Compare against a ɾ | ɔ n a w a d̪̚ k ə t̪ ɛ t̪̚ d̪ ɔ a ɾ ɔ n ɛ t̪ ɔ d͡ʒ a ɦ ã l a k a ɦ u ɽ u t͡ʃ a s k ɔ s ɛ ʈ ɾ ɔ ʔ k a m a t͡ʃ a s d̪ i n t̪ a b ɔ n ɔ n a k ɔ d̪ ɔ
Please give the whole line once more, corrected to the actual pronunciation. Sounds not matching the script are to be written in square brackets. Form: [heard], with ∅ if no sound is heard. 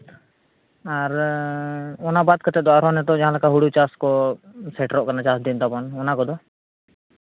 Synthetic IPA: a ɾ | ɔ n a [b] a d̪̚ k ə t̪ ɛ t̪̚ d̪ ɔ a ɾ ɔ n ɛ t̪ ɔ d͡ʒ a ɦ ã l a k a ɦ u ɽ u t͡ʃ a s k ɔ s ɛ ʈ ɾ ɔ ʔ k a [n] a t͡ʃ a s d̪ i n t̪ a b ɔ n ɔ n a k ɔ d̪ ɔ